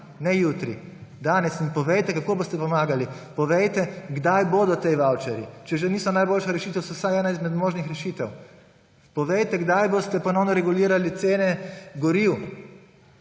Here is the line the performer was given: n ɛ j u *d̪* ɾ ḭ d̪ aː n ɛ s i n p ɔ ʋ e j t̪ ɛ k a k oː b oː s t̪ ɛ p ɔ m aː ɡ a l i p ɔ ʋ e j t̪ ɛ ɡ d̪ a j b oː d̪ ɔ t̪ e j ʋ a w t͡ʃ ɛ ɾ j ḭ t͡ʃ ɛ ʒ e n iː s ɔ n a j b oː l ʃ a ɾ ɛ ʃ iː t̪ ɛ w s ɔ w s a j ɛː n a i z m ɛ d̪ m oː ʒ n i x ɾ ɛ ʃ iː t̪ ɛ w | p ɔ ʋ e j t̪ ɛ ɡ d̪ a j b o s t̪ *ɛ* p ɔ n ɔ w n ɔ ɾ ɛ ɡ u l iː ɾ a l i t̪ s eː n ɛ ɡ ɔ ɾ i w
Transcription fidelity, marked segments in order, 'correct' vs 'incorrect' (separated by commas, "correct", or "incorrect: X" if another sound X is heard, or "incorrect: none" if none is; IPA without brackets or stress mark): incorrect: t̪, correct